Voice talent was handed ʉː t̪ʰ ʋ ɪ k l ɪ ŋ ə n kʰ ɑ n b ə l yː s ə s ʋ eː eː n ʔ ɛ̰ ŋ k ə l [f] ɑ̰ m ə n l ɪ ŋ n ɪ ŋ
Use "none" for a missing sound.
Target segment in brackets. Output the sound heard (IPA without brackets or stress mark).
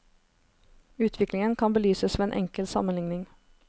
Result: s